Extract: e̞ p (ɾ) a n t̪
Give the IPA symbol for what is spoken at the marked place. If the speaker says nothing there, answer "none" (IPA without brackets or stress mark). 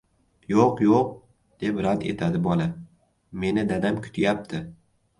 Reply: ɾ